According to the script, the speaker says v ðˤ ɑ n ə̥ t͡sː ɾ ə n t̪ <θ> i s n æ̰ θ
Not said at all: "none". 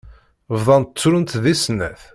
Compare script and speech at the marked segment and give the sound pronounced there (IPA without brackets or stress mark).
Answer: ð